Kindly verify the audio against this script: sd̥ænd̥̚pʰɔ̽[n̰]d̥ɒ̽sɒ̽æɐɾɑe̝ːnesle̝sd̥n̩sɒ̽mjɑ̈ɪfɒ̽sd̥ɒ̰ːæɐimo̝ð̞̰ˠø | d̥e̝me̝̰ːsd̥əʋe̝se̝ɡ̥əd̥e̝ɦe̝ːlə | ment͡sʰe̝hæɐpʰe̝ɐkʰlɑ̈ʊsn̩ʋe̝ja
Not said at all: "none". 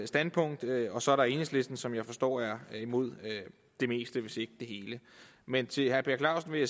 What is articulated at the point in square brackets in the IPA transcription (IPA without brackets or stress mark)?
ŋ̰